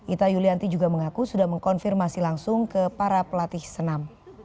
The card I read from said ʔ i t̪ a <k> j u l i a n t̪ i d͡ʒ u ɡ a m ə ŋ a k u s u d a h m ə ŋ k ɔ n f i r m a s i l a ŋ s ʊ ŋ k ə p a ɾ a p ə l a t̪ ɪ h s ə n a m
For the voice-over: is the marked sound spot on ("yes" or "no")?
no